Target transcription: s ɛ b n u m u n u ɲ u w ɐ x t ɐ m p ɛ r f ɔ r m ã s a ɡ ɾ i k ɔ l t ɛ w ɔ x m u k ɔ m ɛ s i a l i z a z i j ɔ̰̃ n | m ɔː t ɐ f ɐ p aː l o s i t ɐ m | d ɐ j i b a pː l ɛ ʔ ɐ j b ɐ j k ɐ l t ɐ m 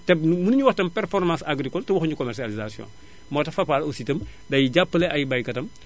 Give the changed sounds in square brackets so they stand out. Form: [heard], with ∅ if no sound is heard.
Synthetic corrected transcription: [t] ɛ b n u m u n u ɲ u w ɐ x t ɐ m p ɛ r f ɔ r m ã s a ɡ ɾ i k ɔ l t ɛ w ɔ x [ɲ] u k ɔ m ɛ s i a l i z a [s] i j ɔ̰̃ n | m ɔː t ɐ f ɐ p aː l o s i t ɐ m | d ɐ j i [ɟ] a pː l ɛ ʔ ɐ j b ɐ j k ɐ [∅] t ɐ m